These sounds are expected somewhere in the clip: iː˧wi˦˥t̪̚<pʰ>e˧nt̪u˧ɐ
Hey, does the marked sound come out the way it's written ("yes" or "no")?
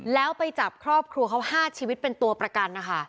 no